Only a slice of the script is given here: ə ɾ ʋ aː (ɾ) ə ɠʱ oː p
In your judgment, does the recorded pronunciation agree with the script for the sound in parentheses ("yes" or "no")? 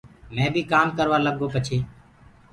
no